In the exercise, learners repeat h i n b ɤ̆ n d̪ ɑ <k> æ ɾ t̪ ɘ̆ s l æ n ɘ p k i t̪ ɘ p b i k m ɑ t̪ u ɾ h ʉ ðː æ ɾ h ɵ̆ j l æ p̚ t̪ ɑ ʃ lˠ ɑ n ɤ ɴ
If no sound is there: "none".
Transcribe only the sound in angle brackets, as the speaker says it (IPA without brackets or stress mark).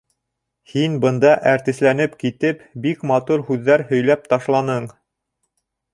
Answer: ʔ